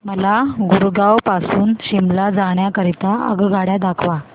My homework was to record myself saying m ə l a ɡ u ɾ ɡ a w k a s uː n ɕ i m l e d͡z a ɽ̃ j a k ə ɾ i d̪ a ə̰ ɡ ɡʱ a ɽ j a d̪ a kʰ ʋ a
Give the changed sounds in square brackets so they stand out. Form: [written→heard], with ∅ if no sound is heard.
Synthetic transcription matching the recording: m ə l a ɡ u ɾ ɡ a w [k→p] a s uː n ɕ i m l [e→a] d͡z a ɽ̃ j a k ə ɾ i [d̪→t̪] a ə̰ ɡ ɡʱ a ɽ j a d̪ a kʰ ʋ a